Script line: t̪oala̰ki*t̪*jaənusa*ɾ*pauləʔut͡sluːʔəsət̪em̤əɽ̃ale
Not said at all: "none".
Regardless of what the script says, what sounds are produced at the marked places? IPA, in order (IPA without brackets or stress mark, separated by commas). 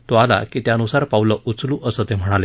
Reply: t̪, ɾ